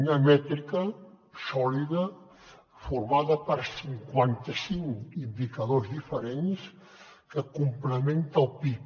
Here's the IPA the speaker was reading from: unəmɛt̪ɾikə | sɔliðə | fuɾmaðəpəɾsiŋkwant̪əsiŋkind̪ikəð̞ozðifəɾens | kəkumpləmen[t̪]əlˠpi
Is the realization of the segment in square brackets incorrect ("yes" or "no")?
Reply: no